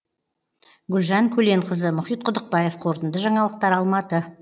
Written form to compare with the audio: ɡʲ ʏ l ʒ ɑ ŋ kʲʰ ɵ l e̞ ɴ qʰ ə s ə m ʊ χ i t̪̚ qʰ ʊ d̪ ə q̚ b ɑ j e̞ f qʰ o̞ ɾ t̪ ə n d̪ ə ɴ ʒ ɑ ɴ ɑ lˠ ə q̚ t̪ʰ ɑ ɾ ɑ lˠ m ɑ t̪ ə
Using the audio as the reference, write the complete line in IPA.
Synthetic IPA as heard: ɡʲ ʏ l ʒ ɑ ŋ kʲʰ ɵ l e̞ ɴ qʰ ə z ə m ʊ χ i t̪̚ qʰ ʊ d̪ ə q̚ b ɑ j e̞ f qʰ o̞ ɾ t̪ ə n d̪ ə ʒ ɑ ɴ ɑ lˠ ə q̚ t̪ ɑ ɾ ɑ lˠ m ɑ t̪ ə